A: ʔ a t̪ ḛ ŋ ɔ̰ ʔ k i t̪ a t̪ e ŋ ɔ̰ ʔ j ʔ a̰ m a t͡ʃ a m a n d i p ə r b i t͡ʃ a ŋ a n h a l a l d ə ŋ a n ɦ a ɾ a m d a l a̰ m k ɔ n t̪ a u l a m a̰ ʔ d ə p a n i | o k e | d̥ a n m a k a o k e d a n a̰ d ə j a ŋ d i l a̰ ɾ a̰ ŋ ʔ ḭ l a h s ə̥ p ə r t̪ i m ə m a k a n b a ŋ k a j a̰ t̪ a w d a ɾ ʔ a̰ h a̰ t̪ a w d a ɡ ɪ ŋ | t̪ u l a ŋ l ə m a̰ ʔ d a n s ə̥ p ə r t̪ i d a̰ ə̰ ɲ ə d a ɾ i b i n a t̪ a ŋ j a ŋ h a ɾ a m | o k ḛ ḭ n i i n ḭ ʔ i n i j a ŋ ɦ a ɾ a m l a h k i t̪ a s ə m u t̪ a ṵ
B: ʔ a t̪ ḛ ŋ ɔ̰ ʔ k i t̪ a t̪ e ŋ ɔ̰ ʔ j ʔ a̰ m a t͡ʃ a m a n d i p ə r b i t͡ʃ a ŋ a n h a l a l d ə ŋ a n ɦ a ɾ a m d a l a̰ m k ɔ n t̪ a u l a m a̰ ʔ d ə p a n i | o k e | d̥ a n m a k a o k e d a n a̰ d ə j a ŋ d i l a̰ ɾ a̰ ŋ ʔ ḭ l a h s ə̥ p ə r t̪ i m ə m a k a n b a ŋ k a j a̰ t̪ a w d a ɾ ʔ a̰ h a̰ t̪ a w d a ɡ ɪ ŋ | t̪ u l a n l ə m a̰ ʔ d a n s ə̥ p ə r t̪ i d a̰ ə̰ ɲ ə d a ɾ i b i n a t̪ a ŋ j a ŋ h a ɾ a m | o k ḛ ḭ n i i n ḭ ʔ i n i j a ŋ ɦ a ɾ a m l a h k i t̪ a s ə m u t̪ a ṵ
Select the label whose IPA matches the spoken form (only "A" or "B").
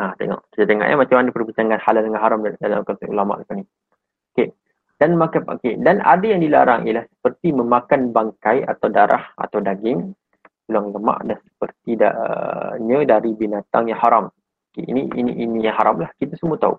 A